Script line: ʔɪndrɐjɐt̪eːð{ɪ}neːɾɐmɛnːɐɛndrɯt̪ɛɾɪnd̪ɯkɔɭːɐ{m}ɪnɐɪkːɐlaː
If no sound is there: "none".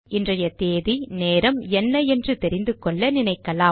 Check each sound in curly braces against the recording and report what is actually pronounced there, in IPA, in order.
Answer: i, n

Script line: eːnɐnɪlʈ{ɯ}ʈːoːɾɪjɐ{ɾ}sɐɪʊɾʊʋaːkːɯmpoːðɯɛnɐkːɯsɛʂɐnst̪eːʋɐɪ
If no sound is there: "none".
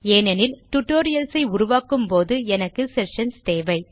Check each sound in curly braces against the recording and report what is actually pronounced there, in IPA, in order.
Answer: ʊ, l

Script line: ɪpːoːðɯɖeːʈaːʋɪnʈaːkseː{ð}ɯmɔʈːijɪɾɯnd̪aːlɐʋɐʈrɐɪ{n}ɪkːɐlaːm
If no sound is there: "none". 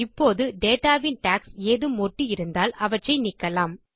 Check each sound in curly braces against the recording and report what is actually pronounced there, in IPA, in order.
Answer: ð, n

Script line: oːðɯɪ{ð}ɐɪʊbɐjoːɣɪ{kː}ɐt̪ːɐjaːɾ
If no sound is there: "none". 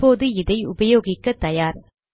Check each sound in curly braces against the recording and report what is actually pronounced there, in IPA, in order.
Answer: ð, kː

